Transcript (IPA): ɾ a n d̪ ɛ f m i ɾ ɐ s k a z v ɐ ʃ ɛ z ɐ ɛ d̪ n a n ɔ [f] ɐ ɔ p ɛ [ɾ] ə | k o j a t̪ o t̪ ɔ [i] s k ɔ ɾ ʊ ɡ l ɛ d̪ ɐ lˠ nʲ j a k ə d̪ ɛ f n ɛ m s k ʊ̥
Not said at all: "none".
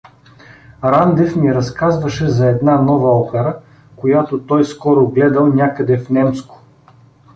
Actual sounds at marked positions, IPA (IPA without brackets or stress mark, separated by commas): v, ɾ, j